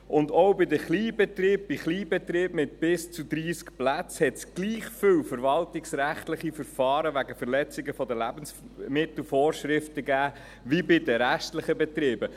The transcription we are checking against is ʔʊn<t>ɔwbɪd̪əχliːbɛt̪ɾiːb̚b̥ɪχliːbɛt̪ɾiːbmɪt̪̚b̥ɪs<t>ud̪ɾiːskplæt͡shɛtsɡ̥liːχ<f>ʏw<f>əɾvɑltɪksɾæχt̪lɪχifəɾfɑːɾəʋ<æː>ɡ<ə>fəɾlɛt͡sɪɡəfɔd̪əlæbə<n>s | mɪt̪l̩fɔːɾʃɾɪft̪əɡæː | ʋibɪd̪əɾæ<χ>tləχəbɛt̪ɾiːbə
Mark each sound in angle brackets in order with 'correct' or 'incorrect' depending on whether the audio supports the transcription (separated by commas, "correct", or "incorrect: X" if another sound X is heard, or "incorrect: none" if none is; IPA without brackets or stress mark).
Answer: incorrect: d, incorrect: t͡s, correct, correct, incorrect: æ, correct, correct, incorrect: ʃ